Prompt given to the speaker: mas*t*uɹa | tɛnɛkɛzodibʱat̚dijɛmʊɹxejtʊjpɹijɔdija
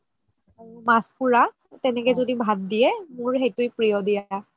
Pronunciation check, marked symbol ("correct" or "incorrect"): incorrect